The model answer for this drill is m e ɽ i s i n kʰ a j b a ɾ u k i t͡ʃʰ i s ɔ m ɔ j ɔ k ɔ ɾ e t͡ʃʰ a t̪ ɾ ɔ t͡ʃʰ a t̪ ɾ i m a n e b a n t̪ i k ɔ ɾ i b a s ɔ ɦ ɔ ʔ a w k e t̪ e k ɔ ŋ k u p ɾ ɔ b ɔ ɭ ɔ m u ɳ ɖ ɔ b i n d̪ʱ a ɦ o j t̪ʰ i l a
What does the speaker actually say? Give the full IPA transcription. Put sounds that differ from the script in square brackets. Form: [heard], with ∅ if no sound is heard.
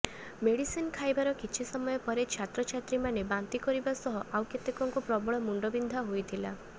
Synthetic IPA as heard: m e ɽ i s i n kʰ a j b a ɾ [ɔ] k i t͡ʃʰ i s ɔ m ɔ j ɔ [p] ɔ ɾ e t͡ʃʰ a t̪ ɾ ɔ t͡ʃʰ a t̪ ɾ i m a n e b a n t̪ i k ɔ ɾ i b a s ɔ ɦ ɔ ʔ a w k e t̪ e k ɔ ŋ k u p ɾ ɔ b ɔ ɭ ɔ m u ɳ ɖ ɔ b i n d̪ʱ a ɦ o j t̪ʰ i l a